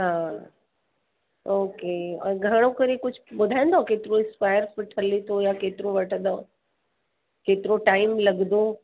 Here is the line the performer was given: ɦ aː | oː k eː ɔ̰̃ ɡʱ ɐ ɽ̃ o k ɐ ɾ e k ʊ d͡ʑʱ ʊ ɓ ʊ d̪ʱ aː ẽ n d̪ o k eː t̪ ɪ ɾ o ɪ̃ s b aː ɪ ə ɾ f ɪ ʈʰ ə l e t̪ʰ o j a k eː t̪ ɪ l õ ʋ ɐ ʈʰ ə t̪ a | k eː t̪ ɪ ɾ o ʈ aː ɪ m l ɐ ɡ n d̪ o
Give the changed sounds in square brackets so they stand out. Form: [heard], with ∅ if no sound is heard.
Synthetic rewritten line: ɦ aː | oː k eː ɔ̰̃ ɡʱ ɐ ɽ̃ o k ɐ ɾ e k ʊ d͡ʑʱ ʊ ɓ ʊ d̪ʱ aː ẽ n d̪ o k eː t̪ ɪ ɾ o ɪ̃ s [p] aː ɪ ə ɾ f ɪ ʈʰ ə l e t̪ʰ o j a k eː t̪ ɪ [ɾ] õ ʋ ɐ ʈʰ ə [d̪] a | k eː t̪ ɪ ɾ o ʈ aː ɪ m l ɐ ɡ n d̪ o